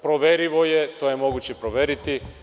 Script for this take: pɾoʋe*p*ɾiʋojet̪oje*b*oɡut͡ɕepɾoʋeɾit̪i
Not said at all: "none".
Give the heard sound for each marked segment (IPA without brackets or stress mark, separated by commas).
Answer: none, m